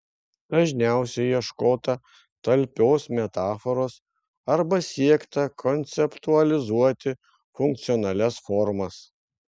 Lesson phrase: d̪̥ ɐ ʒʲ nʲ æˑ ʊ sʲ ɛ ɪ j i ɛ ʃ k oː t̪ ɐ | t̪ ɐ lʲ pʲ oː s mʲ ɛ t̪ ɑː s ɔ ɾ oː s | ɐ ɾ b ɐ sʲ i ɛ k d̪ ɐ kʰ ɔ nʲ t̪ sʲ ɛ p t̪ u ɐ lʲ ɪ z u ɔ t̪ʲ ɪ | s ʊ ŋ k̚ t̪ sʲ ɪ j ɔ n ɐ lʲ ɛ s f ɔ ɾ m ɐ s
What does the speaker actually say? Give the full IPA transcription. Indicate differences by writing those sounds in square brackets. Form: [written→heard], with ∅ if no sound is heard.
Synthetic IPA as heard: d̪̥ ɐ ʒʲ nʲ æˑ ʊ sʲ ɛ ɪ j i ɛ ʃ k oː t̪ ɐ | t̪ ɐ lʲ pʲ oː s mʲ ɛ t̪ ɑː [s→f] ɔ ɾ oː s | ɐ ɾ b ɐ sʲ i ɛ k [d̪→t̪] ɐ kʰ ɔ nʲ t̪ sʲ ɛ p t̪ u ɐ lʲ ɪ z u ɔ t̪ʲ ɪ | [s→f] ʊ ŋ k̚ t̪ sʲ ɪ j ɔ n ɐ lʲ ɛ s f ɔ ɾ m ɐ s